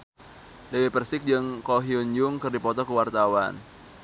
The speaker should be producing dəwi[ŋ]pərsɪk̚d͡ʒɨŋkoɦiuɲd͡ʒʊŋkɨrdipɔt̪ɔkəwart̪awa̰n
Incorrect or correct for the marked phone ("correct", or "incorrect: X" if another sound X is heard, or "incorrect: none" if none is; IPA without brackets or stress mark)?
incorrect: none